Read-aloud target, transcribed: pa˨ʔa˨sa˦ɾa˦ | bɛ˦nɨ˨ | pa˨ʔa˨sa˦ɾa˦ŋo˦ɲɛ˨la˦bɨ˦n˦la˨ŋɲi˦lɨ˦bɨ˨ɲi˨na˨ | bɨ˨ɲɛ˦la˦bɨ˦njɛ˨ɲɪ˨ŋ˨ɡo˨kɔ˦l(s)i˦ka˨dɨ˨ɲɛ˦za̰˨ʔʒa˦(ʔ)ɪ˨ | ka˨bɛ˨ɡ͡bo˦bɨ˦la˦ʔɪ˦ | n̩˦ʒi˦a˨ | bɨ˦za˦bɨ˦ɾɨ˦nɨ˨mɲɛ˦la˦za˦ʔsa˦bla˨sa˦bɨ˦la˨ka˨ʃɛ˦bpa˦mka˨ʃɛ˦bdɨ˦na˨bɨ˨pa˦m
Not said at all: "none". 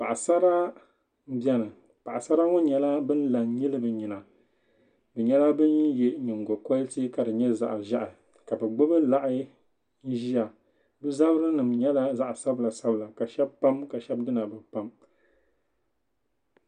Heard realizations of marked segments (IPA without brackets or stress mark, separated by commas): t, ʔ